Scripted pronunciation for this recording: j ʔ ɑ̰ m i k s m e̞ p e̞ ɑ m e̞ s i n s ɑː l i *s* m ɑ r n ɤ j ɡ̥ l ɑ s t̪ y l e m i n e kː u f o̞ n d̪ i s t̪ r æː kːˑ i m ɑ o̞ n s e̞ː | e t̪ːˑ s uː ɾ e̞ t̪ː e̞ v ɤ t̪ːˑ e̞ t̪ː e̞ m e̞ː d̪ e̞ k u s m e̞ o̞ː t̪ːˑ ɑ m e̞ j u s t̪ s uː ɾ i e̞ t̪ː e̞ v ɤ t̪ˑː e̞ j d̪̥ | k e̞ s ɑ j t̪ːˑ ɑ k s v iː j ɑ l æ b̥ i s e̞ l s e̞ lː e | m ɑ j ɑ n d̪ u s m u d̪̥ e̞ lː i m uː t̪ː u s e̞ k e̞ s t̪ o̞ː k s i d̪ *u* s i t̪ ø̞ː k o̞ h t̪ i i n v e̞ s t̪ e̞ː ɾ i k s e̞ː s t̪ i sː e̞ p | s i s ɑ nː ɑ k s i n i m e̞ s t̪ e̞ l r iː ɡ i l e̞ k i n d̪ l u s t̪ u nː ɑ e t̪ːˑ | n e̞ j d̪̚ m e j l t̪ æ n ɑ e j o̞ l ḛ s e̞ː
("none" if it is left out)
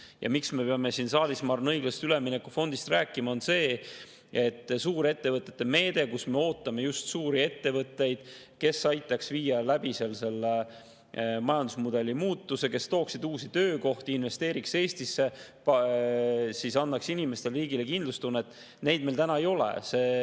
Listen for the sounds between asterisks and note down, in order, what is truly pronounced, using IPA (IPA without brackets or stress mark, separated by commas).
s, uː